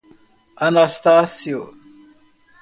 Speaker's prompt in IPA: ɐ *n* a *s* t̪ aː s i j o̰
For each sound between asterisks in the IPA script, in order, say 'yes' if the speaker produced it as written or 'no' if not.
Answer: yes, yes

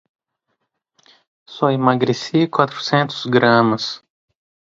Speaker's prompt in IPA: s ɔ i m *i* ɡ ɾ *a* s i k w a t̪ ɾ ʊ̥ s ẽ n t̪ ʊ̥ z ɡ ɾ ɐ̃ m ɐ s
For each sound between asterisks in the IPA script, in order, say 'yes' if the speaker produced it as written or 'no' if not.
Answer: no, no

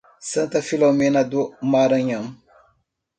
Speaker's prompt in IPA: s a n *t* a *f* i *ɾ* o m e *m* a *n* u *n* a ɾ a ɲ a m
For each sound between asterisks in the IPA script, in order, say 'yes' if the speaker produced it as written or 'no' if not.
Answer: yes, yes, no, no, no, no

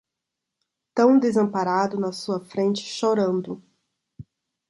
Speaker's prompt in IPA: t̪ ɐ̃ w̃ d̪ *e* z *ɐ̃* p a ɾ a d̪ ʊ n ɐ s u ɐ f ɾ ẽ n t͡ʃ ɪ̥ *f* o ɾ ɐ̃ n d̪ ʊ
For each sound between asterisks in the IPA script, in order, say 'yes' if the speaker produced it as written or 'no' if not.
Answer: yes, yes, no

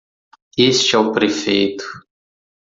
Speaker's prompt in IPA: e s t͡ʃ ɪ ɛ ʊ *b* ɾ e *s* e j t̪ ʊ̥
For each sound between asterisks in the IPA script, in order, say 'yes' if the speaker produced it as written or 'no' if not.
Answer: no, no

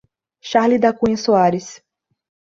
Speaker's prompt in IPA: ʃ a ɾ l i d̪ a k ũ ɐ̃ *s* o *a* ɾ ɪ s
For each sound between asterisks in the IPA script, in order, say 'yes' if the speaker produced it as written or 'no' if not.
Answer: yes, yes

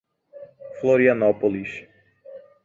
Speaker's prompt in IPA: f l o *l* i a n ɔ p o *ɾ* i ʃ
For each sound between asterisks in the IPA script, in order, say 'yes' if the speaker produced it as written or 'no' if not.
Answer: no, no

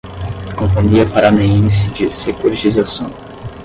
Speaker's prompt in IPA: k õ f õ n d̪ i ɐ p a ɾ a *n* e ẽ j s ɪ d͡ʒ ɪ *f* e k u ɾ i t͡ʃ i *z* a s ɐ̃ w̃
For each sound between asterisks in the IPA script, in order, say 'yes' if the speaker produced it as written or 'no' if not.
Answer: yes, no, yes

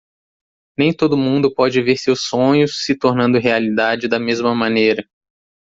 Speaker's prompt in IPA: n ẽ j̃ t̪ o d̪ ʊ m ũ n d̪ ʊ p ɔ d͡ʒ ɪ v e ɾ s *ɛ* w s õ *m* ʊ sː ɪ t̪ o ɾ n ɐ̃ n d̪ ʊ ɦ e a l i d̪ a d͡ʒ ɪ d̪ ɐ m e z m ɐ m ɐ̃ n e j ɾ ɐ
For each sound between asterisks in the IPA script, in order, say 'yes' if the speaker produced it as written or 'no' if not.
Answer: no, no

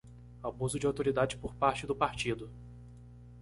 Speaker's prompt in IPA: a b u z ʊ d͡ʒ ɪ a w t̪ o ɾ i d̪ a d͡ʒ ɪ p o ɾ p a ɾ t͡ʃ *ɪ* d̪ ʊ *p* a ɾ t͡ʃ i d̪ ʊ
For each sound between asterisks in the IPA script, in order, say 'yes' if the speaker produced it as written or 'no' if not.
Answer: yes, yes

